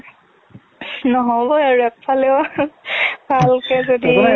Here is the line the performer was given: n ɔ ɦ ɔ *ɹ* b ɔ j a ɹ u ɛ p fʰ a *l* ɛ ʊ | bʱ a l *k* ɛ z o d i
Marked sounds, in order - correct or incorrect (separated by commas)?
incorrect, correct, correct